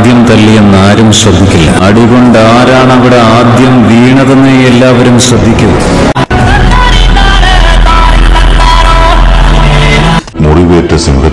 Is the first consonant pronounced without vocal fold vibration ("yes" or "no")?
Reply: no